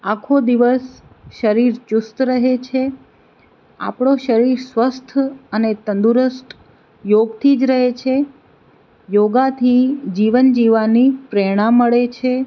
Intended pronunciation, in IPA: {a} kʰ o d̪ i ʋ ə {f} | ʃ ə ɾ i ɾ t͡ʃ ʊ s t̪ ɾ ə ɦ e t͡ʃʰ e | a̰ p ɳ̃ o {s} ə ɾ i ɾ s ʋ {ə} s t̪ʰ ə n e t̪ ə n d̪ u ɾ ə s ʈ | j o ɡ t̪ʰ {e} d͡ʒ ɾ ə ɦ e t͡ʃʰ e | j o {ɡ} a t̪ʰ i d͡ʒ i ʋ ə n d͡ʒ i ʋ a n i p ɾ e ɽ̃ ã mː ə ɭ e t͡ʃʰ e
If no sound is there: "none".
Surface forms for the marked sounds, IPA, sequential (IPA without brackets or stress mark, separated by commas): a, s, ʃ, ə, i, ɡ